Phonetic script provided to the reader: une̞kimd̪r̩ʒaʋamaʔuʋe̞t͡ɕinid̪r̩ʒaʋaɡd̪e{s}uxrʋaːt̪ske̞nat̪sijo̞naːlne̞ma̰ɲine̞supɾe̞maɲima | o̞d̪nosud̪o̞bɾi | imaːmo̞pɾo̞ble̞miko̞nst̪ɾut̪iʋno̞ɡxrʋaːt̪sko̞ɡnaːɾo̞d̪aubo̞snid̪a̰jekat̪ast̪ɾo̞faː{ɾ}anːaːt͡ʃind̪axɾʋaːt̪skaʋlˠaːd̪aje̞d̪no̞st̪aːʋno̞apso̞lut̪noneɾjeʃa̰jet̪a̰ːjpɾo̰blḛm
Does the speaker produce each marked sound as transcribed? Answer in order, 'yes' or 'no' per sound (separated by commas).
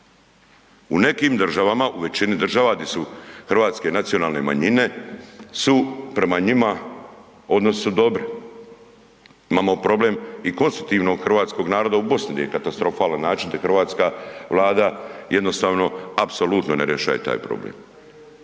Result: yes, no